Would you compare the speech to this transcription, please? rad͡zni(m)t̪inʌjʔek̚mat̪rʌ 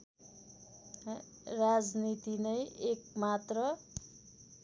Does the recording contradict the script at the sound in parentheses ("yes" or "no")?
yes